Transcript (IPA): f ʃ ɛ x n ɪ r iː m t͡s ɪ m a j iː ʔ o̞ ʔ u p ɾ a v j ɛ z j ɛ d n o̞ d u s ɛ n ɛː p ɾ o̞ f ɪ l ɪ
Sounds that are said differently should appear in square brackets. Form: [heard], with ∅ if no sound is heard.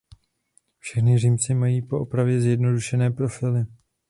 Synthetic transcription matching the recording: f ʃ ɛ x n ɪ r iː m t͡s ɪ m a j iː [p] o̞ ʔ [o] p ɾ a v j ɛ z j ɛ d n o̞ d u [ʃ] ɛ n ɛː p ɾ o̞ f ɪ l ɪ